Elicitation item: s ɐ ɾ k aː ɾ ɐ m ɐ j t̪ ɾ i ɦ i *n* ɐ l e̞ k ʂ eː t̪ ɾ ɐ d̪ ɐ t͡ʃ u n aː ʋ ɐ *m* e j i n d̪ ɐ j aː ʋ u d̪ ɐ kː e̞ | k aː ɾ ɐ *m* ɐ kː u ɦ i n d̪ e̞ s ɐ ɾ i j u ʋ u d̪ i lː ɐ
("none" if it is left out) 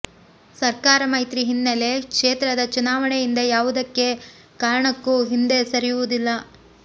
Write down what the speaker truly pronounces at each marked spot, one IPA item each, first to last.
nː, ɳ, ɳ

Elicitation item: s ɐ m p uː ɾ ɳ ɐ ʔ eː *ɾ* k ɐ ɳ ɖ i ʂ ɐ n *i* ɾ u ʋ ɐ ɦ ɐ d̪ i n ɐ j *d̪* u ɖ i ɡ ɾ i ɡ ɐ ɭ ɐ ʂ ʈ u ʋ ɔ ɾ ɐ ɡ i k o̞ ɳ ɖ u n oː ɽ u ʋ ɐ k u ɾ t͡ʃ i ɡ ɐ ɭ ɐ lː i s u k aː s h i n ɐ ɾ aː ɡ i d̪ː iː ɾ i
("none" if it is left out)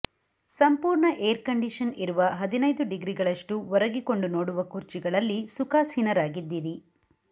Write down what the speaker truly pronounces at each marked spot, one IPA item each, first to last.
ɾ, i, d̪

